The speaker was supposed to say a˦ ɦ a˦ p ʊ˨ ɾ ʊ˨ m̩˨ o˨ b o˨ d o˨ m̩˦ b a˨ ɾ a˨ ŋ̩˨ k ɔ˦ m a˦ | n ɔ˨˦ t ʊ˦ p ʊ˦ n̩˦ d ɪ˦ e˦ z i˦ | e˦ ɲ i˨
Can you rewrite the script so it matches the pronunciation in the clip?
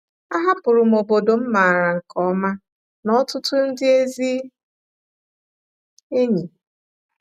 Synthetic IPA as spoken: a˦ ɦ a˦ p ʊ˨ ɾ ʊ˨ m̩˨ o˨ b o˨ d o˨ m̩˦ m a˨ ɾ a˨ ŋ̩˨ k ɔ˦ m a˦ | n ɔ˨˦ t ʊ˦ t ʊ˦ n̩˦ d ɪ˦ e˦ z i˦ | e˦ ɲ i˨